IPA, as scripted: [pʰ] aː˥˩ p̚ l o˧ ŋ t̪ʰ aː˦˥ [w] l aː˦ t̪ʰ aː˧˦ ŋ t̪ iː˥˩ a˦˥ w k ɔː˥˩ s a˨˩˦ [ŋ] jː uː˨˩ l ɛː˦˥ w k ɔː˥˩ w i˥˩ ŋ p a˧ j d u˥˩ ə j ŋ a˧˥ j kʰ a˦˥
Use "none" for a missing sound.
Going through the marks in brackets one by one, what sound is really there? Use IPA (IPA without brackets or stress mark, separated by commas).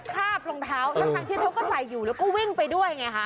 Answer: kʰ, w, none